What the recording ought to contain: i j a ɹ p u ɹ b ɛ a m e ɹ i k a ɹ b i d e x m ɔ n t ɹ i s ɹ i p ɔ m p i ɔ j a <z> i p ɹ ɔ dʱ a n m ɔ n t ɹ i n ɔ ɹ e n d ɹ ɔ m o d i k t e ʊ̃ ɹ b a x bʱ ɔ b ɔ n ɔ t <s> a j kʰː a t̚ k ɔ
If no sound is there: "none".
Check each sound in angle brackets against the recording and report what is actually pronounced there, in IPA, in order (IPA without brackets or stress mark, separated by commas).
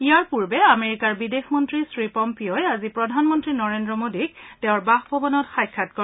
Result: z, x